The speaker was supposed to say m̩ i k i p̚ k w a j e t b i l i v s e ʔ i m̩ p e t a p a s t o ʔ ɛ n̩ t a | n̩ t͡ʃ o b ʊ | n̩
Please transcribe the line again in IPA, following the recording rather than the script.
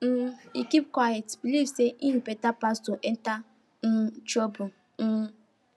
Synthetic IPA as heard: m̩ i k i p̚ k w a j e t b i l i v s e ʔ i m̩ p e t a p a s t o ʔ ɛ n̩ t a | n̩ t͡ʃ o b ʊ | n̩